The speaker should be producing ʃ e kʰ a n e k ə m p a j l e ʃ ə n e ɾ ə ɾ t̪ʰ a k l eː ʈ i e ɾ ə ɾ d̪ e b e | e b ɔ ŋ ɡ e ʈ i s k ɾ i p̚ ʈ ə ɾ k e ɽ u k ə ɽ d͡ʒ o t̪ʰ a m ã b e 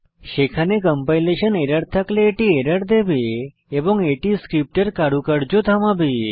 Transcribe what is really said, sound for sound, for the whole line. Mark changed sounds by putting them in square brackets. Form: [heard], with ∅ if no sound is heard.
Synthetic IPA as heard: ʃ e kʰ a n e k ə m p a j l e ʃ ə n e ɾ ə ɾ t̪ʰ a k l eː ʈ i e ɾ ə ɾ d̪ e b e | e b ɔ ŋ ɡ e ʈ i s k ɾ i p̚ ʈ ə ɾ k [a] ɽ u k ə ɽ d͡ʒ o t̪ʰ a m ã b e